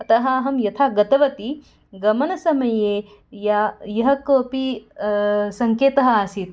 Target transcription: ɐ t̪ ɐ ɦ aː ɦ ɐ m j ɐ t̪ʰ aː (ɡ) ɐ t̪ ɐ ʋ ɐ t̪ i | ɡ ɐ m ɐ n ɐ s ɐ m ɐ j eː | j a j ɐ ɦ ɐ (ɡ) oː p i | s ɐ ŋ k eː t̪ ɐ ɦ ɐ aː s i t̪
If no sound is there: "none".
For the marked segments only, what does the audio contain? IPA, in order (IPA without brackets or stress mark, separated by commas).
ɡ, k